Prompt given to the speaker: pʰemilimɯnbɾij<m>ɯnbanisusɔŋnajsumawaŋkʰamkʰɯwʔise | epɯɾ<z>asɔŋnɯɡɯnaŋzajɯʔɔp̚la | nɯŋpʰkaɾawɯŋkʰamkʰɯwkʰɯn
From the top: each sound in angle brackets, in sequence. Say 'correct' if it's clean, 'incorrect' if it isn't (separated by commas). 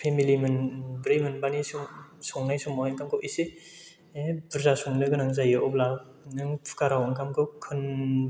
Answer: correct, correct